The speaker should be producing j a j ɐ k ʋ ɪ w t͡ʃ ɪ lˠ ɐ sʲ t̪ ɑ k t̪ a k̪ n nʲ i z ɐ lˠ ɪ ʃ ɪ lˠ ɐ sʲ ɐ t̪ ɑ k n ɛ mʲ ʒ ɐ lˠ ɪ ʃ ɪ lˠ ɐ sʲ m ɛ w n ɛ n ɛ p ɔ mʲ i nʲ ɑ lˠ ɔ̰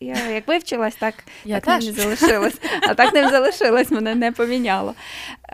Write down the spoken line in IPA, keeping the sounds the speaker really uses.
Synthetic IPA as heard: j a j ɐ k ʋ ɪ w t͡ʃ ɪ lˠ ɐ sʲ t̪ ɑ k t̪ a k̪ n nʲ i z ɐ lˠ ɪ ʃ ɪ lˠ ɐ sʲ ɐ t̪ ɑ k n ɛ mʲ z ɐ lˠ ɪ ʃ ɪ lˠ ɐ sʲ m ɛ n ɛ n ɛ p ɔ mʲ i nʲ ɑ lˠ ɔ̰